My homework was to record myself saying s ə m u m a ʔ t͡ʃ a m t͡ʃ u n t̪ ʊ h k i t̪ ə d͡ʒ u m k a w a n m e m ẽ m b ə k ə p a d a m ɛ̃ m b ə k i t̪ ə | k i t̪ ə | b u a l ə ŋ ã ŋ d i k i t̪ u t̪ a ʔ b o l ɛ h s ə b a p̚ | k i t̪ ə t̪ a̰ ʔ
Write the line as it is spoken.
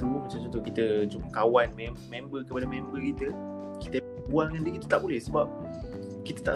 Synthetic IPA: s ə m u m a t͡ʃ a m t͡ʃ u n t̪ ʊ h k i t̪ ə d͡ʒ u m k a w a n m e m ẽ m b ə k ə p a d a m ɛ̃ m b ə k i t̪ ə | k i t̪ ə | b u a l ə ŋ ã n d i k i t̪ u t̪ a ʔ b o l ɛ h s ə b a p̚ | k i t̪ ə t̪ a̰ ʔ